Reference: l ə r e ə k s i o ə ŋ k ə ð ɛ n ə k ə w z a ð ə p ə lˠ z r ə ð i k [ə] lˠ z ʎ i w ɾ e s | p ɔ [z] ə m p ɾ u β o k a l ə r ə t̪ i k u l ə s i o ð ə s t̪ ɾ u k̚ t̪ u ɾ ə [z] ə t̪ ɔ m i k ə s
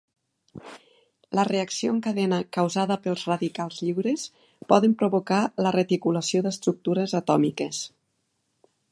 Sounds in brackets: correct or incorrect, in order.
incorrect: a, incorrect: ð, correct

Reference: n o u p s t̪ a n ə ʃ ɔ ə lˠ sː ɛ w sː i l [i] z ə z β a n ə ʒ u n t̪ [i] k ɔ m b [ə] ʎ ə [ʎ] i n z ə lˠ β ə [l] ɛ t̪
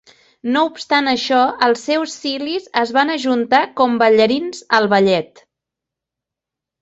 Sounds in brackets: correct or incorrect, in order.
correct, incorrect: a, correct, incorrect: ɾ, incorrect: ʎ

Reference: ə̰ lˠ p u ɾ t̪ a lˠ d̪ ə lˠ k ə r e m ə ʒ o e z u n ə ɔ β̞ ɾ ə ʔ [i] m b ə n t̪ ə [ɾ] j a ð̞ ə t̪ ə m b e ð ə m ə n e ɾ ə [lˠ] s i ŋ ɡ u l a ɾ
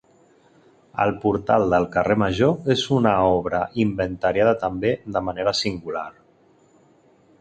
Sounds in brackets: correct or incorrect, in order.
correct, correct, incorrect: none

